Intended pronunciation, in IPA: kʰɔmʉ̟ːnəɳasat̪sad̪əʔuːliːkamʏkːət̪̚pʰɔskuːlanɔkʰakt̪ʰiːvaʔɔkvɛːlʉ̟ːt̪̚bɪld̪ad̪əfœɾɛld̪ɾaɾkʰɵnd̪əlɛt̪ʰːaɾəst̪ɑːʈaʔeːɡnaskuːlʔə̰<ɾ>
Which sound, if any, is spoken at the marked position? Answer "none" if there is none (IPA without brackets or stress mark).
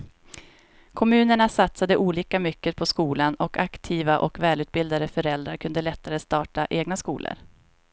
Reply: ɾ